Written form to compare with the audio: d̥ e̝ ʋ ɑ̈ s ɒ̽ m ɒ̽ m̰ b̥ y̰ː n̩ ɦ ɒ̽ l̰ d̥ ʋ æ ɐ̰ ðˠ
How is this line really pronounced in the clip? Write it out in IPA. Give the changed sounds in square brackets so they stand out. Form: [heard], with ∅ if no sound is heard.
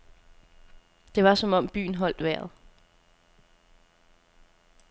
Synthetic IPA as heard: d̥ e̝ ʋ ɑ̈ s ɒ̽ m ɒ̽ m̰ b̥ y̰ː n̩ ɦ ɒ̽ l̰ d̥ ʋ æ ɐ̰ ðˠ